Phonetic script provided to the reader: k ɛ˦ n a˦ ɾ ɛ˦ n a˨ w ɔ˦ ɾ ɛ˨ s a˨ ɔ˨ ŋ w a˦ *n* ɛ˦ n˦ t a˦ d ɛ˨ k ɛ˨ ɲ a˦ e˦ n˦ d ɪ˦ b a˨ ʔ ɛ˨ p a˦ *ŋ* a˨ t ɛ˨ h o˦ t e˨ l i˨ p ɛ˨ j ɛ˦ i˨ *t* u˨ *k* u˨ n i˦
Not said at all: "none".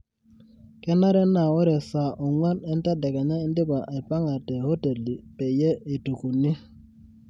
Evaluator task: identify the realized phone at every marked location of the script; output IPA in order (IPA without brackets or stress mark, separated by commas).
n, ŋ, t, k